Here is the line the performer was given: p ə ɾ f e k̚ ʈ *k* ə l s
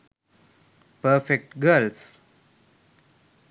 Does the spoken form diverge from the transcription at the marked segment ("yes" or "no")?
yes